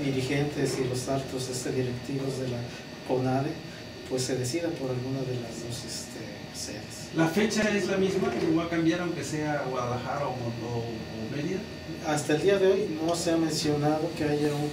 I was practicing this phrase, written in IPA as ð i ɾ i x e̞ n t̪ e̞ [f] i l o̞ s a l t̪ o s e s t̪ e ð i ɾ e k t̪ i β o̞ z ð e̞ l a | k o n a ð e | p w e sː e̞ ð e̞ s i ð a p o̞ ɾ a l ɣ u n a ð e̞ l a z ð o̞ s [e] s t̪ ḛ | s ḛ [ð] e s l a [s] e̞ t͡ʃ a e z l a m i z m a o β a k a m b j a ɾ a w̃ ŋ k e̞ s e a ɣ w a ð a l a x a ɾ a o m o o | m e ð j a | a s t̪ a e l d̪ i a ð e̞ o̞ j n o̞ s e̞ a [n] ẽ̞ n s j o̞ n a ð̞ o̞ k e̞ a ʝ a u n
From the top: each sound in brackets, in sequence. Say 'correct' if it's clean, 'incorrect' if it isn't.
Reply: incorrect: s, correct, correct, incorrect: f, incorrect: m

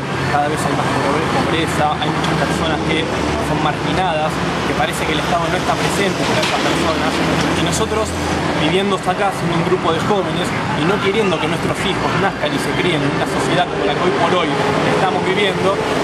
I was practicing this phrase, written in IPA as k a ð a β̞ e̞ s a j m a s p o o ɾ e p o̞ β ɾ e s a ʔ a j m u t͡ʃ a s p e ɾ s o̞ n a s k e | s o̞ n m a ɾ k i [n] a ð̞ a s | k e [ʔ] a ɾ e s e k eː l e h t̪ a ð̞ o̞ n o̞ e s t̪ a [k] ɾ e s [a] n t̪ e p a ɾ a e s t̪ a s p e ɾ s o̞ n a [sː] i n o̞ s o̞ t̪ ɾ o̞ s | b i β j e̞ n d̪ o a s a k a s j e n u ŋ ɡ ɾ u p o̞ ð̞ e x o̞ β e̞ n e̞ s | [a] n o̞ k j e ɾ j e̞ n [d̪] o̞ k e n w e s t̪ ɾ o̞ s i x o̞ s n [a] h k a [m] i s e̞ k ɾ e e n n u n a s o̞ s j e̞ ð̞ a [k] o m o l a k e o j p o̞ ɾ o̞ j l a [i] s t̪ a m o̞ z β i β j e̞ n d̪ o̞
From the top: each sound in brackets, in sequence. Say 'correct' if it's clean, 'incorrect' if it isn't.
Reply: correct, incorrect: p, incorrect: p, incorrect: e, incorrect: s, incorrect: i, correct, correct, incorrect: n, correct, incorrect: e

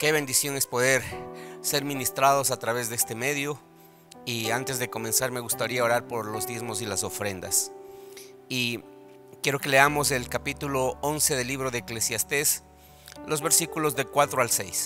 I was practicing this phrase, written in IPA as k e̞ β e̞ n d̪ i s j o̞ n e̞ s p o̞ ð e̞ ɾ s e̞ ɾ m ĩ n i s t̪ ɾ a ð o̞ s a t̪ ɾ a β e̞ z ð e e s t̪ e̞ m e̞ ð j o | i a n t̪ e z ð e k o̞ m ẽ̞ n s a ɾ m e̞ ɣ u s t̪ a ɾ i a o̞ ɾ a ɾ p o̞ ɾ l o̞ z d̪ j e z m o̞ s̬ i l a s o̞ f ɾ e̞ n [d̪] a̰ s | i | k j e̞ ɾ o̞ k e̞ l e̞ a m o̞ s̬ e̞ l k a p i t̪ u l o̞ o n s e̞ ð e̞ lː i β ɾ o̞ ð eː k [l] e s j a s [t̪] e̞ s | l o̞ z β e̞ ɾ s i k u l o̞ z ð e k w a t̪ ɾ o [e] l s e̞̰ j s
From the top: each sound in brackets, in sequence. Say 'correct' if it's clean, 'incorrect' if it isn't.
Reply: correct, correct, correct, incorrect: a

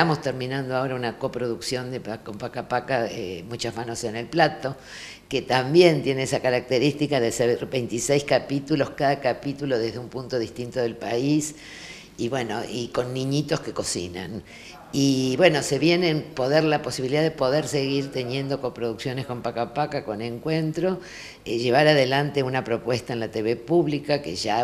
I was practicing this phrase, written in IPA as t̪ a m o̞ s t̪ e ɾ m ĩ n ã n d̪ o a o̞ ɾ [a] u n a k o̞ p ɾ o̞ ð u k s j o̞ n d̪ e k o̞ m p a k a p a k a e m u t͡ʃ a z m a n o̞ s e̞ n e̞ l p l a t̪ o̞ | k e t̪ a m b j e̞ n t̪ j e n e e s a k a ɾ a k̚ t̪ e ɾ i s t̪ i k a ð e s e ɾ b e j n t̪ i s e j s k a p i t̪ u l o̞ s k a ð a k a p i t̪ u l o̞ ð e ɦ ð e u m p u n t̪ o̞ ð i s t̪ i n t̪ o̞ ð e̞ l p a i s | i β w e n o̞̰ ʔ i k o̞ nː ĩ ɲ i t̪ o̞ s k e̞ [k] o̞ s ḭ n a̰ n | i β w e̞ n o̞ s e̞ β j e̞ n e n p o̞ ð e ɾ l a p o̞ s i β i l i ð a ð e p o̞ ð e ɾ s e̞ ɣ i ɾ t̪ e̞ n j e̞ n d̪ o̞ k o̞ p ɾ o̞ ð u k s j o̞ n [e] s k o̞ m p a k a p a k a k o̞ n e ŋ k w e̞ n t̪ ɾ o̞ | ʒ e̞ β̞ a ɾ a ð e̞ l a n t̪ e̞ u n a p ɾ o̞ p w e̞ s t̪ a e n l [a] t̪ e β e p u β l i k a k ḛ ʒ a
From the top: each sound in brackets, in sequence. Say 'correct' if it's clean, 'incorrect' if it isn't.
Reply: correct, correct, correct, correct

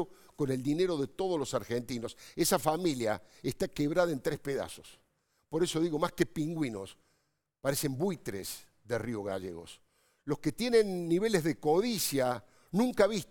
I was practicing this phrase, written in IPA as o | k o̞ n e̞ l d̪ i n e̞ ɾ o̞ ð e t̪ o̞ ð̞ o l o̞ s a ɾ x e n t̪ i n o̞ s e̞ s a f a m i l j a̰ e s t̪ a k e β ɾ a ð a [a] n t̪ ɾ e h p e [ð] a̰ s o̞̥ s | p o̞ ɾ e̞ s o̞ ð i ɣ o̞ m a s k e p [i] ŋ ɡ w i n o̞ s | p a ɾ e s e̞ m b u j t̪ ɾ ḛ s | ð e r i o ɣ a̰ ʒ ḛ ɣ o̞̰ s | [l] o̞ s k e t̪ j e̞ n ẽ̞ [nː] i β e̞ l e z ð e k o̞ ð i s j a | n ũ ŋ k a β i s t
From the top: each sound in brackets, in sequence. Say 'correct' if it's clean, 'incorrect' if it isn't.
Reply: incorrect: e, correct, correct, correct, correct

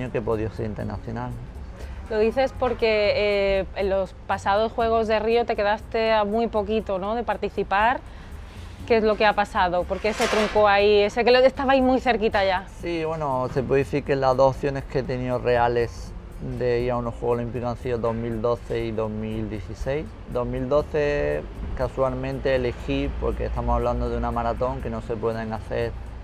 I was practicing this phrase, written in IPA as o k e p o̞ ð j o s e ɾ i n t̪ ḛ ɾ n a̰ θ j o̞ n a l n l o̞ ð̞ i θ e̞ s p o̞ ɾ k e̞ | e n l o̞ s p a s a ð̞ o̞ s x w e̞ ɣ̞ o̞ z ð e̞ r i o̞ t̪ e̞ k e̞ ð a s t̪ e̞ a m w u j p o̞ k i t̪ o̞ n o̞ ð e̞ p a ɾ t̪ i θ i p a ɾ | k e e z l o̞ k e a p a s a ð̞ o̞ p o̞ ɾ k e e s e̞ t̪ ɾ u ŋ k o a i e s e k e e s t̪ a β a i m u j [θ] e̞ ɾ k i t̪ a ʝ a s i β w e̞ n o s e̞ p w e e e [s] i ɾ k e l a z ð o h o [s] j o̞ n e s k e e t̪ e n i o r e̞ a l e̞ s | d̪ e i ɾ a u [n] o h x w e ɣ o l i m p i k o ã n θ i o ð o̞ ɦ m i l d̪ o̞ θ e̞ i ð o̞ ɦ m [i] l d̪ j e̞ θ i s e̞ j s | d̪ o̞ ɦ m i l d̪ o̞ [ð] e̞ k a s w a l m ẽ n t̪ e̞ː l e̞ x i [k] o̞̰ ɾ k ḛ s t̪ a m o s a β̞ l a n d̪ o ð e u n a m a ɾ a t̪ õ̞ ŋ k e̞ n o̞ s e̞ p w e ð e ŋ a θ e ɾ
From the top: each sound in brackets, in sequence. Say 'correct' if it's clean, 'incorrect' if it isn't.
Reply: correct, incorrect: θ, incorrect: θ, correct, correct, incorrect: θ, incorrect: p

